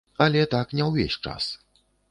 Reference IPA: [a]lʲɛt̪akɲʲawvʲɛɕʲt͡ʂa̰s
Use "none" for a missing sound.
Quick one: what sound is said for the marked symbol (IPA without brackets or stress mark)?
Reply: a